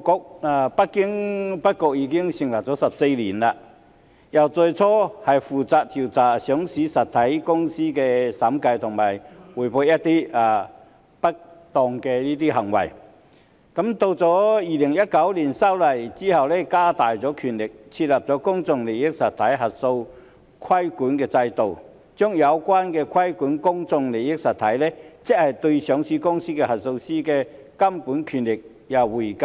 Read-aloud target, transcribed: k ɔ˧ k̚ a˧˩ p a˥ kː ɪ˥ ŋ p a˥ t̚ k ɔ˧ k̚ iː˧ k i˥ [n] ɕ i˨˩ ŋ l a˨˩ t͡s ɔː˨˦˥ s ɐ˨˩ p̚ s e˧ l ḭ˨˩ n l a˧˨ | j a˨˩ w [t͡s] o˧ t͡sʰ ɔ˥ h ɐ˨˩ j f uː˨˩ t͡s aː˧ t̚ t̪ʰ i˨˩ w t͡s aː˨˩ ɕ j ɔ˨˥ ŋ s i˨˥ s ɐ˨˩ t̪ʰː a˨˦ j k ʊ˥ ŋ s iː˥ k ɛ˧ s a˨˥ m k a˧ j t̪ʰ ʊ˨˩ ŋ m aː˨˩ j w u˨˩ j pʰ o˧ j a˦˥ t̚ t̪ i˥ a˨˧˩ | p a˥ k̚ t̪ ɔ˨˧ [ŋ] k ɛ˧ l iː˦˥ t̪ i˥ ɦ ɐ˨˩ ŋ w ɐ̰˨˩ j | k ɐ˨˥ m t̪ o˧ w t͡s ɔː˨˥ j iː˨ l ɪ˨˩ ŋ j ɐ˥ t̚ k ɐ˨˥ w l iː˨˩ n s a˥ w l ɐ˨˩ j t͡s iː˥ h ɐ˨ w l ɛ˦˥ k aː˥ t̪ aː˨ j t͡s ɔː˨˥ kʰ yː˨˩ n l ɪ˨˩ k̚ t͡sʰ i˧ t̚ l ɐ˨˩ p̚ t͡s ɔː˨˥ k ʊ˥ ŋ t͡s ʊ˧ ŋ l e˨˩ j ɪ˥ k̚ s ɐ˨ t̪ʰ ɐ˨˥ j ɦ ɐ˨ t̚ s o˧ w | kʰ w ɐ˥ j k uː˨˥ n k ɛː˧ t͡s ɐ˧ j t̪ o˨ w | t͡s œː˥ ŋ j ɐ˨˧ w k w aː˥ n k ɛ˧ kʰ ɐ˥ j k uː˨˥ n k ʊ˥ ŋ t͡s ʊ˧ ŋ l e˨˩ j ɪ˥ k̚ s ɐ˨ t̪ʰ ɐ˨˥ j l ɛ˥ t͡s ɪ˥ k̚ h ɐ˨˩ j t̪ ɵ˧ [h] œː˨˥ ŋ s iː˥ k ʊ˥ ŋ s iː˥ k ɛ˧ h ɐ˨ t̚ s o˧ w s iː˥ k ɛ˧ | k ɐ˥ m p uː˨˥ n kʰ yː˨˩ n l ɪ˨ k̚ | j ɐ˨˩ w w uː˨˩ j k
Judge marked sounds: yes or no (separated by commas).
no, yes, yes, no